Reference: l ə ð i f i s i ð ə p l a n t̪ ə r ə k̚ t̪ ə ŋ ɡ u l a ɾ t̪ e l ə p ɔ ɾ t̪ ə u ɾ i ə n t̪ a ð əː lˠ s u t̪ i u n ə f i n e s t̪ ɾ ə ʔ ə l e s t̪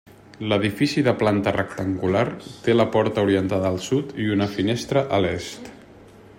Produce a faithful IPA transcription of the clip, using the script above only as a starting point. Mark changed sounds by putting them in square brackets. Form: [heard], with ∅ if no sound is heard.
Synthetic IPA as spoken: l ə ð i f i s i ð ə p l a n t̪ ə r ə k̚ t̪ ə ŋ ɡ u l a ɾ t̪ e l ə p ɔ ɾ t̪ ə u ɾ i ə n t̪ a ð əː lˠ s u t̪ i u n ə f i n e s t̪ ɾ ə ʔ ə l e s t̪